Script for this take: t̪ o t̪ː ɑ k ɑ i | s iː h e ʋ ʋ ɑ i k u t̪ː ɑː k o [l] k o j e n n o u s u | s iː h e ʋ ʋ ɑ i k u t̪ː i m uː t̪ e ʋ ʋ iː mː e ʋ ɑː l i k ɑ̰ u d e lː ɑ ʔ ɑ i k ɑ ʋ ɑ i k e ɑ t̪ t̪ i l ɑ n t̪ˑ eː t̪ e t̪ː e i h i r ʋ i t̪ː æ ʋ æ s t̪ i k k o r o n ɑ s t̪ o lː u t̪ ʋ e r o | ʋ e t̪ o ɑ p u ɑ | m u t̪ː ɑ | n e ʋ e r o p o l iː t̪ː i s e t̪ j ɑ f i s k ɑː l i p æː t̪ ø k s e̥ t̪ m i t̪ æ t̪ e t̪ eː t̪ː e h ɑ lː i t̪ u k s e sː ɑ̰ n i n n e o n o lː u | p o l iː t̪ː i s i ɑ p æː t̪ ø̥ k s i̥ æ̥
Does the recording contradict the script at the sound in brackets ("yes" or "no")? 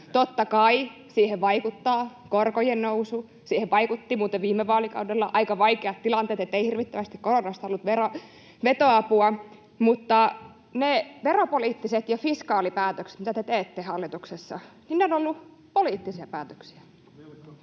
yes